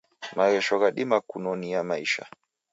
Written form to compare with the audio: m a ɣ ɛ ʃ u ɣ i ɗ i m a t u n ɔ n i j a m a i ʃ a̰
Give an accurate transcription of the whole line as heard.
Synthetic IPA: m a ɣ ɛ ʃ ɔ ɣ a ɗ i m a k u n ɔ n i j a m a i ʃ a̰